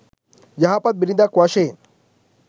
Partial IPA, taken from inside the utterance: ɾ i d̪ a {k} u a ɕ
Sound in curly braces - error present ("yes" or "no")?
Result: no